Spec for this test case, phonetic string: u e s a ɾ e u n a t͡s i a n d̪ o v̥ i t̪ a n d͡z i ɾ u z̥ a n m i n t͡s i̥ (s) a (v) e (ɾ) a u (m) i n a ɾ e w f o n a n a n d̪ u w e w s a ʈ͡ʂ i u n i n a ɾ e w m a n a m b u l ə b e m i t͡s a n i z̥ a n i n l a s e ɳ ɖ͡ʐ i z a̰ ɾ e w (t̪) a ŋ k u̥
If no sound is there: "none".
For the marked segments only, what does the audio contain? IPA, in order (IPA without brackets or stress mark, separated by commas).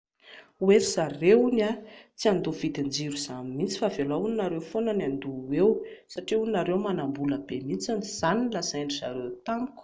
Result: f, v, l, n, t̪